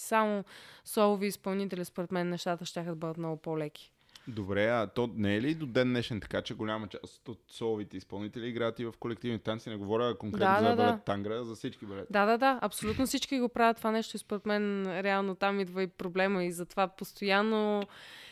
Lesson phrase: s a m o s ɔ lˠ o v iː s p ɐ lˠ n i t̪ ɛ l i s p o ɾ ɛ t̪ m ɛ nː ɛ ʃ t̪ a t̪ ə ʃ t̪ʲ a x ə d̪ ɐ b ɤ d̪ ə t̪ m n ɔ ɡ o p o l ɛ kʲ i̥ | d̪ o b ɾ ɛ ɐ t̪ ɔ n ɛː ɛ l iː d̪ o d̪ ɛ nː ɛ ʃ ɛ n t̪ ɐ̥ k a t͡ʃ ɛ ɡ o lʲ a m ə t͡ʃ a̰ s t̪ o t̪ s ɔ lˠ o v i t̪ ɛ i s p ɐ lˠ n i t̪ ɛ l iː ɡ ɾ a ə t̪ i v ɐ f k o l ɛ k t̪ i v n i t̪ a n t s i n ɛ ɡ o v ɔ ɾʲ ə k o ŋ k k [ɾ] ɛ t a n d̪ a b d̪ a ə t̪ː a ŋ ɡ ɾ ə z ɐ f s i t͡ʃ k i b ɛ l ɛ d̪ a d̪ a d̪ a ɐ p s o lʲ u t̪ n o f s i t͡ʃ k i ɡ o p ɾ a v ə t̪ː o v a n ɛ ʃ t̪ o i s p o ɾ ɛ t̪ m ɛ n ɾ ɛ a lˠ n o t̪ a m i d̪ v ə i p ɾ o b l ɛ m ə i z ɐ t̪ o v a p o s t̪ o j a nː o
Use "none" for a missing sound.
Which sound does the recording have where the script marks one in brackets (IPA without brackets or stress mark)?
ɾ